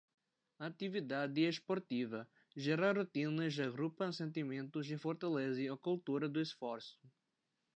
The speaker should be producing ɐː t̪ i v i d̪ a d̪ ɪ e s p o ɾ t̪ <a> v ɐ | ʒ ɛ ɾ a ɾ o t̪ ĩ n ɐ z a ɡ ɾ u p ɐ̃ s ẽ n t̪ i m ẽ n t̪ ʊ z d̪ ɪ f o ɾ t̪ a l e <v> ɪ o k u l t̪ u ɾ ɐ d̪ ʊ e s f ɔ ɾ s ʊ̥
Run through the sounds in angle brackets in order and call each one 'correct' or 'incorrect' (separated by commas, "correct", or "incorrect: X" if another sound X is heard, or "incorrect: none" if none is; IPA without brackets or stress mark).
incorrect: i, incorrect: z